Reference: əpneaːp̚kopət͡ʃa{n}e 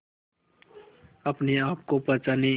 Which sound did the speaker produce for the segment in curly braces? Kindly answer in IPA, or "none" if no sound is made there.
n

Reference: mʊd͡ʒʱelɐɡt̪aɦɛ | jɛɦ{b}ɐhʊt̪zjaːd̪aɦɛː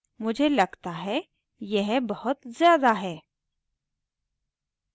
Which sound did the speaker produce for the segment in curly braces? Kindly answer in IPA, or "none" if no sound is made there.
b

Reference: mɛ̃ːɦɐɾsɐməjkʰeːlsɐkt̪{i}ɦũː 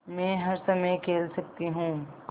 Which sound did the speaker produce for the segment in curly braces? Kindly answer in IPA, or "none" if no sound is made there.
i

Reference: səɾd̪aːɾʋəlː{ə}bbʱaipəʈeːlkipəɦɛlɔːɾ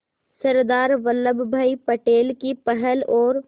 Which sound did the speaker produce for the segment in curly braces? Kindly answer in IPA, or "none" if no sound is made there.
ə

